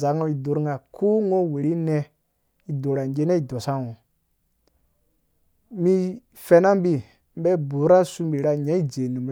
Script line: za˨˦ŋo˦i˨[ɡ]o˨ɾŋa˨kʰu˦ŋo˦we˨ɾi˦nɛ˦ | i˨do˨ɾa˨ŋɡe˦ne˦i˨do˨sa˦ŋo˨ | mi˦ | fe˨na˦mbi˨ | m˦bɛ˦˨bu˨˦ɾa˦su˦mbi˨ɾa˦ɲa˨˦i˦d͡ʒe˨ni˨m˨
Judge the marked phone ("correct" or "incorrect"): incorrect